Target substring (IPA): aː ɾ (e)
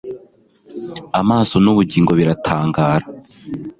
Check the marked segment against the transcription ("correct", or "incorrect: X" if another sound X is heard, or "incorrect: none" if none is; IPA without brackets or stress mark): incorrect: a